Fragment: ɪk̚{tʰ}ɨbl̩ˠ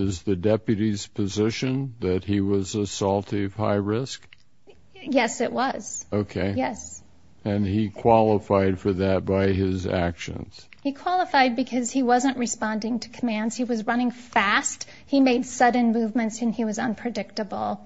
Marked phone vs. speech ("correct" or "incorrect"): incorrect